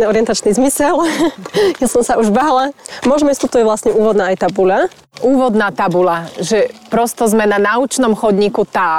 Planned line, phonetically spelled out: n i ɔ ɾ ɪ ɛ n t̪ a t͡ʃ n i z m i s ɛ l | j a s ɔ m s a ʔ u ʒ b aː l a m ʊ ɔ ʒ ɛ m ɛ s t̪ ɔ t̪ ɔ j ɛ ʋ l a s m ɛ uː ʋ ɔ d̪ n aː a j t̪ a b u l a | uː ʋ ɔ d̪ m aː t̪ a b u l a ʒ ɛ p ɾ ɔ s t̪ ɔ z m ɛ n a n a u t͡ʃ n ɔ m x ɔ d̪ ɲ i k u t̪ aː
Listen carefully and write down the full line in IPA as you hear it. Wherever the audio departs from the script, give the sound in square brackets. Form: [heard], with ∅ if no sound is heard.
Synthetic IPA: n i ɔ ɾ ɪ ɛ n t̪ a t͡ʃ n i z m i s ɛ l | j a s ɔ m s a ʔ u ʒ b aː l a m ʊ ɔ ʒ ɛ m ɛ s t̪ ɔ t̪ ɔ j ɛ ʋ l a s [ɲ] ɛ uː ʋ ɔ d̪ n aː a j t̪ a b u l a | uː ʋ ɔ d̪ [n] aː t̪ a b u l a ʒ ɛ p ɾ ɔ s t̪ ɔ z m ɛ n a n a u t͡ʃ n ɔ m x ɔ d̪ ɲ i k u t̪ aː